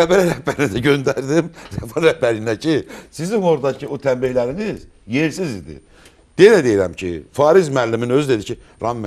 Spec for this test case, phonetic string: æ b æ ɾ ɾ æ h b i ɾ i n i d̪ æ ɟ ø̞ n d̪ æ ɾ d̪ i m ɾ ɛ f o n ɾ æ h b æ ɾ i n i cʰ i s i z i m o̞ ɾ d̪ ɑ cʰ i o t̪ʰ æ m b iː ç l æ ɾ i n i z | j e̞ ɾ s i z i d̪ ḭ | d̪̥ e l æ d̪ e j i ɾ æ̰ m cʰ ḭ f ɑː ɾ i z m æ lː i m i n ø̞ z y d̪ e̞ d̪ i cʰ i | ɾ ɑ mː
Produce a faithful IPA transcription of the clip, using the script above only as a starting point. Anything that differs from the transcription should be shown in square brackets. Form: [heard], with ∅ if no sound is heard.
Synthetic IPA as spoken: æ b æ ɾ ɾ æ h b [æ] ɾ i n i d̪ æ ɟ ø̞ n d̪ æ ɾ d̪ i m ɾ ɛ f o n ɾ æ h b æ ɾ i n [æ] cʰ i s i z i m o̞ ɾ d̪ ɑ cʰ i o t̪ʰ æ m b [i] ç l æ ɾ i n i z | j e̞ ɾ s i z i d̪ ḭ | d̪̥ e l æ d̪ e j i ɾ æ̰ m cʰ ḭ f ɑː ɾ i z m æ lː i m i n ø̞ z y d̪ e̞ d̪ i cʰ i | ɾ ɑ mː

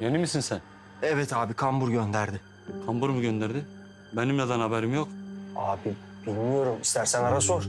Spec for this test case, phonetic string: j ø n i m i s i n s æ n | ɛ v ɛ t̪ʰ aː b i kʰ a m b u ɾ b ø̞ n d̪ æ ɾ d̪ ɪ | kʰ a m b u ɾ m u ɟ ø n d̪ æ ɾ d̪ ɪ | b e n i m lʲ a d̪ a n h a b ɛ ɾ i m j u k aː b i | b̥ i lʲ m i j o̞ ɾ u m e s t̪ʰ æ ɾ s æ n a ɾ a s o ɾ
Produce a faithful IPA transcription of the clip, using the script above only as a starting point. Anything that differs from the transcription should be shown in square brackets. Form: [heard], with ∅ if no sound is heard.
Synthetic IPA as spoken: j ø n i m i s i n s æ n | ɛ v ɛ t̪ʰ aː b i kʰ a m b u ɾ [ɟ] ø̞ n d̪ æ ɾ d̪ ɪ | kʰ a m b u ɾ m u ɟ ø n d̪ æ ɾ d̪ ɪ | b e n i m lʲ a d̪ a n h a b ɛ ɾ i m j [o] k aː b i | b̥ i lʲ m i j o̞ ɾ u m [i] s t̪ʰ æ ɾ s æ n a ɾ a s o ɾ

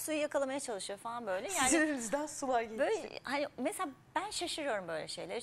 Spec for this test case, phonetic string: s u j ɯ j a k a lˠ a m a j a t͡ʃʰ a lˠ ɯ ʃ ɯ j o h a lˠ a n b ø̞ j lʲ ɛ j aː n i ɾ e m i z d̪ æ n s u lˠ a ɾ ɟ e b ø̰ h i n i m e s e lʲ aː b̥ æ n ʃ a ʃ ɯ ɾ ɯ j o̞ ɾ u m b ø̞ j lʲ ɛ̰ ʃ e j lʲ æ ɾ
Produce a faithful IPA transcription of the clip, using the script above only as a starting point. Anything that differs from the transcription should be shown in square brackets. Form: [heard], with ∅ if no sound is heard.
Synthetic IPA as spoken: s u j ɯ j a k a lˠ a m a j a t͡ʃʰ a lˠ ɯ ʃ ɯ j o [f] a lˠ a n b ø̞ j lʲ ɛ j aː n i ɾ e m i z d̪ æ n s u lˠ a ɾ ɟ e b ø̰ h [a] n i m e s e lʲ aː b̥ æ n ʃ a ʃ ɯ ɾ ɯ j o̞ ɾ u m b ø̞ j lʲ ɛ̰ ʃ e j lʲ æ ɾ

